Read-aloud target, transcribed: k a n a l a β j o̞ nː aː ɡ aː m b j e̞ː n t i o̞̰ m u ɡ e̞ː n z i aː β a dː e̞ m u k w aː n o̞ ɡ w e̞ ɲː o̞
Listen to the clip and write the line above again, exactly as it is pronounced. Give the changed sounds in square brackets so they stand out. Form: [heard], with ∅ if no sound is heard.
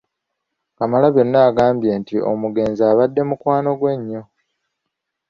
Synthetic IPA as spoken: k a [m] a l a β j o̞ nː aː ɡ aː m b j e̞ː n t i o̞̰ m u ɡ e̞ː n z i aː β a dː e̞ m u k w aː n o̞ ɡ w e̞ ɲː o̞